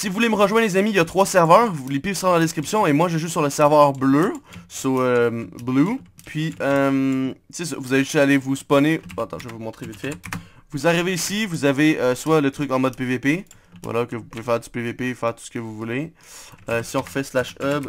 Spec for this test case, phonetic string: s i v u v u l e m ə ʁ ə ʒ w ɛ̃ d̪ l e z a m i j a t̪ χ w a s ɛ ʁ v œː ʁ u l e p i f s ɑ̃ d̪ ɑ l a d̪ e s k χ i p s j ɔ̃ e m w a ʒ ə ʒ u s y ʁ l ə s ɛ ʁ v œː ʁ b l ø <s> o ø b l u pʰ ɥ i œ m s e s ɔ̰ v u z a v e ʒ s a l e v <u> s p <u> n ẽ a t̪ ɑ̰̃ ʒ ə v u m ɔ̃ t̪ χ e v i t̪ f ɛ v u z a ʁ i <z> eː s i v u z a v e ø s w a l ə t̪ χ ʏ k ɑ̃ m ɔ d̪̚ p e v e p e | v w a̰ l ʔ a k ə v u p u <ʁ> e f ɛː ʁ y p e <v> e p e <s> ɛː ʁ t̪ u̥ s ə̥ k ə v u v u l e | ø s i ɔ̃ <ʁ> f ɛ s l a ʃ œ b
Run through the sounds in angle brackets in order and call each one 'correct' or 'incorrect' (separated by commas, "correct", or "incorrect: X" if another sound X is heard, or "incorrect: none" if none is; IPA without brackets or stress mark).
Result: correct, correct, incorrect: ɔ, incorrect: v, incorrect: v, correct, incorrect: f, correct